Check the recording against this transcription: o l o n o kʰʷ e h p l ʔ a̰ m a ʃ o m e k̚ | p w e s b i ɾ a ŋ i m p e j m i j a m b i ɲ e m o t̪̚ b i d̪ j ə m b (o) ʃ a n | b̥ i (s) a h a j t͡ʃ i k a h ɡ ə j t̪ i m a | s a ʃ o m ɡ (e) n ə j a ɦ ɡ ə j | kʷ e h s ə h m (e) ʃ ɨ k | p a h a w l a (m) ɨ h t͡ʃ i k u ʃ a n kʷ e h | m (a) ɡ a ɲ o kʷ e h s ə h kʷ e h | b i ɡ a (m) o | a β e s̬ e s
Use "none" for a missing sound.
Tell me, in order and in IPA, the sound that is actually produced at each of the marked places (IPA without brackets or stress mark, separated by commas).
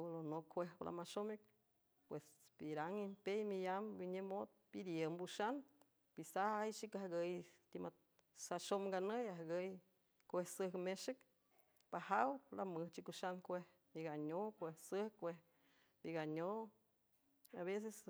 u, s, a, e, m, i, ɲ